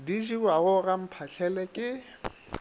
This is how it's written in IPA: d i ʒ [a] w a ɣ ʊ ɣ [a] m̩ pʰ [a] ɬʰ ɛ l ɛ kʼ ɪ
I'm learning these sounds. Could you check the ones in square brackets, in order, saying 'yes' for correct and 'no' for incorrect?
no, yes, yes

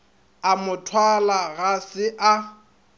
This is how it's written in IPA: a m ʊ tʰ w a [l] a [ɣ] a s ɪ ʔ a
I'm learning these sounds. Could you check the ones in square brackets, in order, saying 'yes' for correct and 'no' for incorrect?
yes, yes

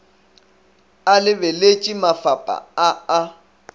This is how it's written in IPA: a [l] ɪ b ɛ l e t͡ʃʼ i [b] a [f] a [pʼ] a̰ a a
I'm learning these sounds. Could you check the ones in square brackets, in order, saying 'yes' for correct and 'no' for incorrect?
yes, no, yes, yes

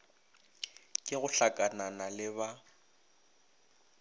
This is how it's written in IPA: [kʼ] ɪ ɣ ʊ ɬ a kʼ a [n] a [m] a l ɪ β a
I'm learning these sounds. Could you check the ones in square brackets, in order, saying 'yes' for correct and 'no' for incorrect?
yes, yes, no

